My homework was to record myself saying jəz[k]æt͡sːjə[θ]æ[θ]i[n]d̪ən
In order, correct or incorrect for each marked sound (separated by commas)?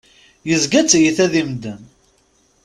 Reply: incorrect, correct, incorrect, incorrect